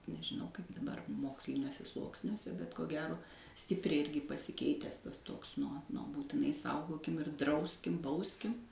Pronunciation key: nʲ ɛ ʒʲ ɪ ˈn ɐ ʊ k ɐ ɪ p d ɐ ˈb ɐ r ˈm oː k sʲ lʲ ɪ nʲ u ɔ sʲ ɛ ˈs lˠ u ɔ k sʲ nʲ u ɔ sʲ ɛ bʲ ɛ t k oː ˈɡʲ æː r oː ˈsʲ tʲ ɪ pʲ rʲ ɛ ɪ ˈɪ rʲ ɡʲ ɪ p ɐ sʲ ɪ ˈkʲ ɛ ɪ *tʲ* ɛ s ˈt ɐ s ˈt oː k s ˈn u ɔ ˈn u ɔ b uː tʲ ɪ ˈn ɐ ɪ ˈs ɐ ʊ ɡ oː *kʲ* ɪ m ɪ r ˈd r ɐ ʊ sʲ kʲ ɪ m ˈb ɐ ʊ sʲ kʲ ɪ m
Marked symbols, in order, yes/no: yes, yes

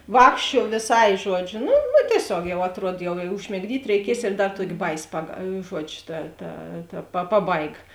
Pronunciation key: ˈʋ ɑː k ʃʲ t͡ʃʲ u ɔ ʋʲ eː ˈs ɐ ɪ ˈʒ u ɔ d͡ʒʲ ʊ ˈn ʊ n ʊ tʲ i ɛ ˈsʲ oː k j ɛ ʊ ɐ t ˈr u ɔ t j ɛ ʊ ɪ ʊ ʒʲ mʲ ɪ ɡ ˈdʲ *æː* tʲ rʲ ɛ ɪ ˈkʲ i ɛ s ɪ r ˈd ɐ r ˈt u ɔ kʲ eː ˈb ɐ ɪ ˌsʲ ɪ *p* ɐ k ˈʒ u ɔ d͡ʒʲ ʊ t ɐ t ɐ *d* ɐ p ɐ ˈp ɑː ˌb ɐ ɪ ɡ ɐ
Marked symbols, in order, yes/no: no, yes, no

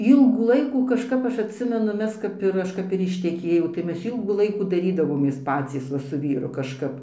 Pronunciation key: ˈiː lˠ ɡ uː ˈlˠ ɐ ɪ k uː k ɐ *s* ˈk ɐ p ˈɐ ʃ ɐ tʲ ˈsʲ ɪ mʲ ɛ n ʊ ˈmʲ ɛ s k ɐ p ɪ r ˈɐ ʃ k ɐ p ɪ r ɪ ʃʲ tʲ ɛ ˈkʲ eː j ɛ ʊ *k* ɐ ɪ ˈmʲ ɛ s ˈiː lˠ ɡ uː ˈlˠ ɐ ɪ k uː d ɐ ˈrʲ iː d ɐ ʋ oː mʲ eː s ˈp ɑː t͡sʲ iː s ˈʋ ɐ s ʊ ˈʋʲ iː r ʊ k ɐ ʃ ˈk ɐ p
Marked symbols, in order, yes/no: no, no

